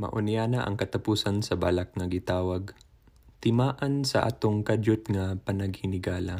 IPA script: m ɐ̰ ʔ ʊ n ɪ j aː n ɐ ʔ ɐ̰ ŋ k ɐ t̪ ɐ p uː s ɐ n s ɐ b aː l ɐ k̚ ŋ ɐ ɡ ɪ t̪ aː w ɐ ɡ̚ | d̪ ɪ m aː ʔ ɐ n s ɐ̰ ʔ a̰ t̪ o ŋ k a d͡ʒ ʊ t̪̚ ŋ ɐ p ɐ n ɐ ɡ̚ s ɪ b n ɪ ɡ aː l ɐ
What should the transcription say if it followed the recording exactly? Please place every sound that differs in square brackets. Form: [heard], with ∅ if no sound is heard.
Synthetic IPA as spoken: m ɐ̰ ʔ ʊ n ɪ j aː n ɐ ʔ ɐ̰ ŋ k ɐ t̪ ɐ p uː s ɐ n s ɐ b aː l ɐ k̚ ŋ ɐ ɡ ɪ t̪ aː w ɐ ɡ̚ | [t̪] ɪ m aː ʔ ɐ n s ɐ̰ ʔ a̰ t̪ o ŋ k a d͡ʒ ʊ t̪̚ ŋ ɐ p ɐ n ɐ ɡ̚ [h] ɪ [∅] n ɪ ɡ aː l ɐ